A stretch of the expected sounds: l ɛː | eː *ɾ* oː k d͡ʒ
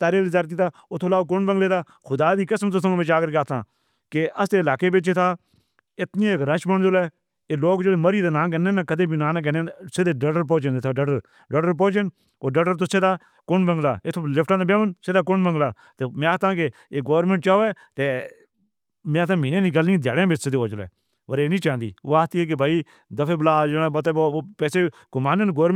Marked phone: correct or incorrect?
incorrect